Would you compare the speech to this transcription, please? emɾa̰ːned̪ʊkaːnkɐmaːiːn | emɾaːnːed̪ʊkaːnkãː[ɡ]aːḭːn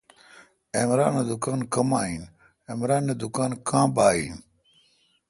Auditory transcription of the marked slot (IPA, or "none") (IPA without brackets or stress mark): b